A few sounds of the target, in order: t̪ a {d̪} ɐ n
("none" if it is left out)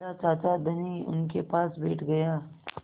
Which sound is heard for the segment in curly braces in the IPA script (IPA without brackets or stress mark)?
d̪